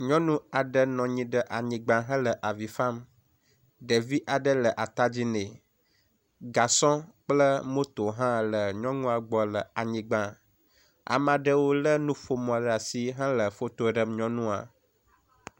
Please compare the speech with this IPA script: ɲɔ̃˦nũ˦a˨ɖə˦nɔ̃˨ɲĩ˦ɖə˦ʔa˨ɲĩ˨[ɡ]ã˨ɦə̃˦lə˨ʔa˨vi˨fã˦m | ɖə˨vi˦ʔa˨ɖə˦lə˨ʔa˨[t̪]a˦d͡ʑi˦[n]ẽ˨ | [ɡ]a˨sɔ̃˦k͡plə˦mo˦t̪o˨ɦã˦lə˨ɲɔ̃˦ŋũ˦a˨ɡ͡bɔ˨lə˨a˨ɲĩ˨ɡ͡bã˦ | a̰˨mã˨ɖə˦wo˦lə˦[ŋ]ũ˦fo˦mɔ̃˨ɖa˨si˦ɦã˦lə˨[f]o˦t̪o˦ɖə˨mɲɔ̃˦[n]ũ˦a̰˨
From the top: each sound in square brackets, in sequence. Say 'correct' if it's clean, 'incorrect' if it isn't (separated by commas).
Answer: incorrect, correct, correct, correct, incorrect, correct, correct